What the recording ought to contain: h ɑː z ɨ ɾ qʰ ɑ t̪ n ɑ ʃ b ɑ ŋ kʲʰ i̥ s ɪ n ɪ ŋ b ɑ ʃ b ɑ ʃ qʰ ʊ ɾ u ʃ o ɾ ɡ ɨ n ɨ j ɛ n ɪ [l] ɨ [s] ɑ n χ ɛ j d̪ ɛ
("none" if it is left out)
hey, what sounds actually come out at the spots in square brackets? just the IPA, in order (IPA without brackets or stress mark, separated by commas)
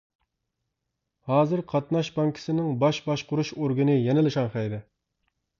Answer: l, ʃ